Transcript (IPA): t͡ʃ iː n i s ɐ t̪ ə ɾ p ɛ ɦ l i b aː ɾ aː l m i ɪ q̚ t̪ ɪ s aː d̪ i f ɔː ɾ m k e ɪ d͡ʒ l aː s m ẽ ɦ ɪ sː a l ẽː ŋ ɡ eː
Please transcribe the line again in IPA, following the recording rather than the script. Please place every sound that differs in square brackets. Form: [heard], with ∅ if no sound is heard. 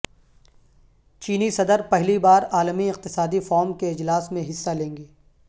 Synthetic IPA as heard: t͡ʃ iː n i s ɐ [d̪] ə ɾ p ɛ ɦ l i b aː ɾ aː l m i ɪ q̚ t̪ ɪ s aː d̪ i f ɔː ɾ m k e ɪ d͡ʒ l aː s m ẽ ɦ ɪ sː a l ẽː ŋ ɡ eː